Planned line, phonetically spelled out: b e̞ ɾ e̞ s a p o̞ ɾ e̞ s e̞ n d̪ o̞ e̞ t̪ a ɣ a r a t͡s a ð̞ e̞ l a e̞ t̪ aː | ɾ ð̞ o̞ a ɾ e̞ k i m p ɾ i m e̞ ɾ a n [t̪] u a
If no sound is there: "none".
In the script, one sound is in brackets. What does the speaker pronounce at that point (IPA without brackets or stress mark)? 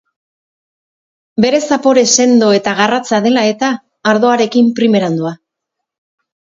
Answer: d̪